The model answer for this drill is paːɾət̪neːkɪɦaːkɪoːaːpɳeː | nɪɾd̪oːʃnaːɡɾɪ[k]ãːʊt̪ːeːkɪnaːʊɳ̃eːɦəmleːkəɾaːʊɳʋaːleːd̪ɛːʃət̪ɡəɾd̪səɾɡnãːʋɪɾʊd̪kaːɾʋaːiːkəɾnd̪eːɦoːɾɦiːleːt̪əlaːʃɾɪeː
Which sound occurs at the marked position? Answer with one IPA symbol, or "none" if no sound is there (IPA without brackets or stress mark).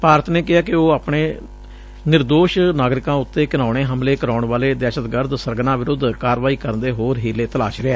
k